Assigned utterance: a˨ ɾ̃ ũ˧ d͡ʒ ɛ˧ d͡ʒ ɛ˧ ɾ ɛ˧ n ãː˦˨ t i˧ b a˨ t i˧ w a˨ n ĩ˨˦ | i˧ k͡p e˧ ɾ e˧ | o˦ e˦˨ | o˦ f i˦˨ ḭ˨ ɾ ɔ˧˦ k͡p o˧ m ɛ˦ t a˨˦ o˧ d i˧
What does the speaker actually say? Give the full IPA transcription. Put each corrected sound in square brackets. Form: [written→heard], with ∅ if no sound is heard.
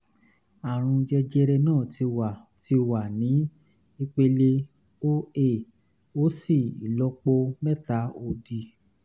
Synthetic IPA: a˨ ɾ̃ ũ˧ d͡ʒ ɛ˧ d͡ʒ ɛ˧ ɾ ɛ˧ n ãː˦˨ t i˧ [b→w] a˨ t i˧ w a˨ n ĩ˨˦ | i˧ k͡p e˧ [ɾ→l] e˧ | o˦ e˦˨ | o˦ [f→s] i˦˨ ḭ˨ [ɾ→l] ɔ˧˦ k͡p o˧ m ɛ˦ t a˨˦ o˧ d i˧